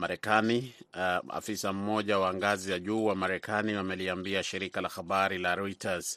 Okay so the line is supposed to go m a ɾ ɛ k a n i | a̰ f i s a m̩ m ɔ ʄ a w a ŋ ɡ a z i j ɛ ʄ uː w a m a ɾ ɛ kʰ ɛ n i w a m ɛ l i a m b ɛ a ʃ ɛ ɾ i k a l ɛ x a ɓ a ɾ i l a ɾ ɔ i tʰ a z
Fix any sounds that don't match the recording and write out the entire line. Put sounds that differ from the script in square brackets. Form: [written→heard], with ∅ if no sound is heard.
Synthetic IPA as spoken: m a ɾ ɛ k a n i | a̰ f i s a m̩ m ɔ ʄ a w a ŋ ɡ a z i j [ɛ→a] ʄ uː w a m a ɾ ɛ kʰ [ɛ→a] n i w a m ɛ l i a m b [ɛ→i] a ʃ [ɛ→i] ɾ i k a l [ɛ→a] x a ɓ a ɾ i l a ɾ ɔ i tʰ a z